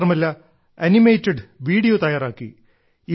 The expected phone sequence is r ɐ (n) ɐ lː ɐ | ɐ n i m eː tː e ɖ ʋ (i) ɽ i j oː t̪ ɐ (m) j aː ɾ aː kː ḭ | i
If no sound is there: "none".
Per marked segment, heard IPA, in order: m, iː, none

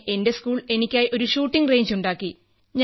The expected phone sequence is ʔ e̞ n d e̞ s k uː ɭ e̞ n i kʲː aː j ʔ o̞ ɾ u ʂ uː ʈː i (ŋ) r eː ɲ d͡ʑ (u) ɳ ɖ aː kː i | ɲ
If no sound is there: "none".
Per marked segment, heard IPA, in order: ŋ, u

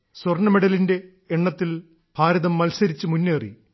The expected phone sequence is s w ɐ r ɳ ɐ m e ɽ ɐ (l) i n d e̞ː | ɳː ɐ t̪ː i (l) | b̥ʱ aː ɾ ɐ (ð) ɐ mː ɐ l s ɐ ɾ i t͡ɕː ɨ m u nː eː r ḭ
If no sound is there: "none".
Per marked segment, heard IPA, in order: l, l, ð

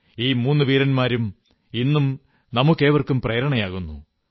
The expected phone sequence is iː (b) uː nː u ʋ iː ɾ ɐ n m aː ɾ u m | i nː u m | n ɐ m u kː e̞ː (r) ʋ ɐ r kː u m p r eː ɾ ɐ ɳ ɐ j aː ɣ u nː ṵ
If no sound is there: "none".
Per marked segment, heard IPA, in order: m, none

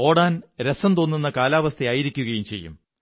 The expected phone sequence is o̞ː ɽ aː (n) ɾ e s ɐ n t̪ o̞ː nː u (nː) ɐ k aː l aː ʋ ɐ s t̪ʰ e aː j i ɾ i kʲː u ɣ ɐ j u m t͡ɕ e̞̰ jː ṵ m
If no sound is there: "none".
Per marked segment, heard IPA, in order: n, nː

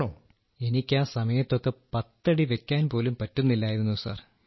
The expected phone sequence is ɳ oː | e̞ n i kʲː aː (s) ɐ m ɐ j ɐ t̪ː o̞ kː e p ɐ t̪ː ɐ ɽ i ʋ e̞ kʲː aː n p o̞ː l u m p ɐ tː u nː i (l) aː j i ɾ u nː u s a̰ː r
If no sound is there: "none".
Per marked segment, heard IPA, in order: s, lː

